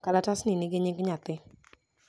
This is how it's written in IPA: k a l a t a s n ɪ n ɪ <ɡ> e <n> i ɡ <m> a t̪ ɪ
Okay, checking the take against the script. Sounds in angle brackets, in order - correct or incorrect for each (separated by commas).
correct, incorrect, incorrect